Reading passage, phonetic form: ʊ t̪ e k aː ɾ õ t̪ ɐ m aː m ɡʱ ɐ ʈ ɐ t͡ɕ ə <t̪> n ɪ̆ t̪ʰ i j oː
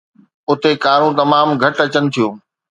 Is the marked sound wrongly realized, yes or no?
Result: yes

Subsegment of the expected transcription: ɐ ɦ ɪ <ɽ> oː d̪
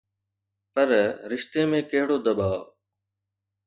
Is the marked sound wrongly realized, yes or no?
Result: no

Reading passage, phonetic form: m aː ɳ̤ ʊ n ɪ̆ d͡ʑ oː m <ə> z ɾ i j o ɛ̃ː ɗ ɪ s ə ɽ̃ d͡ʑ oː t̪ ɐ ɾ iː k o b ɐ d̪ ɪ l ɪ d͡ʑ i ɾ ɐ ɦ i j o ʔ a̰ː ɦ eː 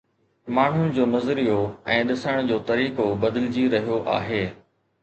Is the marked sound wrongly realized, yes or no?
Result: yes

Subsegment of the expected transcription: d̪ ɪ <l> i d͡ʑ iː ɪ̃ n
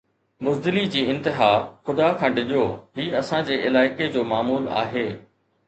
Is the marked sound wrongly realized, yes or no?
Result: no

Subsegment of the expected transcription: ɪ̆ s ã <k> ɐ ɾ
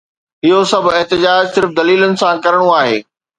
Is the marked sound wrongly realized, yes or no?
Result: no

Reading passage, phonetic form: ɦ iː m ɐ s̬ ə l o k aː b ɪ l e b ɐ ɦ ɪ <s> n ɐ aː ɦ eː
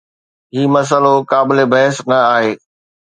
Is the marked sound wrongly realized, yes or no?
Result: no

